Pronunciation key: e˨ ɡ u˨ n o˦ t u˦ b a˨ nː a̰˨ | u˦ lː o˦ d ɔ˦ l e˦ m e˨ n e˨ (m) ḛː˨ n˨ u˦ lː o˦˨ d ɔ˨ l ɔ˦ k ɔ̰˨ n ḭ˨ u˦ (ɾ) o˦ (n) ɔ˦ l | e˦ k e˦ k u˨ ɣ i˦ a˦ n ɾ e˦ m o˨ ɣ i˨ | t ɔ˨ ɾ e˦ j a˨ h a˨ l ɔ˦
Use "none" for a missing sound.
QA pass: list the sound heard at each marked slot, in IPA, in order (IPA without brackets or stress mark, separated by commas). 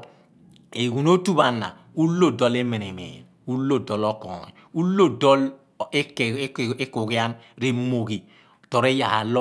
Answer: m, l, d